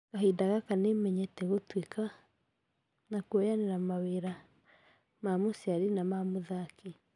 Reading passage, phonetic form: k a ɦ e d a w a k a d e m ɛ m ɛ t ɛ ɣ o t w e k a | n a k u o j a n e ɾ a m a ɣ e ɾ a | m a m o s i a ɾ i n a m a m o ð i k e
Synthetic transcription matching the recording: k a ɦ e d a ɣ a k a n e m ɛ ɲ ɛ t ɛ ɣ o t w e k a | n a k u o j a n e ɾ a m a w e ɾ a | m a m o s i a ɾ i n a m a m o ð a k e